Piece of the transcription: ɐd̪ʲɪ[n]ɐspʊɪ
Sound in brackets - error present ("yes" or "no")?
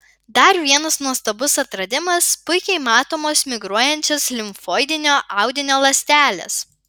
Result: yes